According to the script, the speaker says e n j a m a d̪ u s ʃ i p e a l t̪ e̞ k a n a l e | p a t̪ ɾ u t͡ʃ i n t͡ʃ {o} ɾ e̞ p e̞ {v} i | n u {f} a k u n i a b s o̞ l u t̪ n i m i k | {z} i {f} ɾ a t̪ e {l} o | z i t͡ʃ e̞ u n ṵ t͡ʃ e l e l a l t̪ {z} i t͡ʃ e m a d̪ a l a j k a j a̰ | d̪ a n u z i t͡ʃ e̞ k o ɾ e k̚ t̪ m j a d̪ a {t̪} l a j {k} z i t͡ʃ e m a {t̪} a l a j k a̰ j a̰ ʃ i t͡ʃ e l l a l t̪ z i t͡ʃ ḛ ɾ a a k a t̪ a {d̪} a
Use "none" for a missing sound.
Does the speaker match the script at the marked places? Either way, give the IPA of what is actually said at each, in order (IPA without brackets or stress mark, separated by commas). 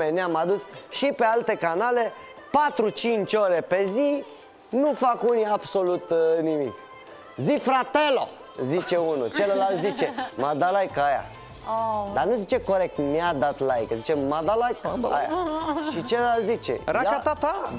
o, z, f, z, f, l, z, t̪, k, d̪, t̪